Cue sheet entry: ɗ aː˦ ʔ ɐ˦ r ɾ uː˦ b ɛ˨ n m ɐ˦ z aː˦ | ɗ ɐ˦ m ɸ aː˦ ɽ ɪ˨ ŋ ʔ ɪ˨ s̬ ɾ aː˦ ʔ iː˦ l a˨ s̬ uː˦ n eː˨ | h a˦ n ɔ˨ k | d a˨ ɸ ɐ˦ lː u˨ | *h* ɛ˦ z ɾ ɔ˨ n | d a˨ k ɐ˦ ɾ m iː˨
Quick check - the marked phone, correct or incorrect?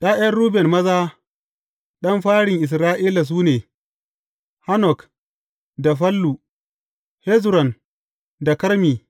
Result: correct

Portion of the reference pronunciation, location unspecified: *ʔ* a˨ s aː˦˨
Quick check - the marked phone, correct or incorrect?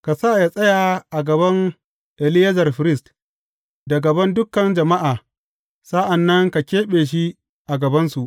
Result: incorrect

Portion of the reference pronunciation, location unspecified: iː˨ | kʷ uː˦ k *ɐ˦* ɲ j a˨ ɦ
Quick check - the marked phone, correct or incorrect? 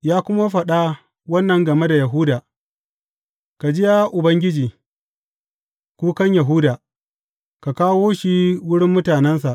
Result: correct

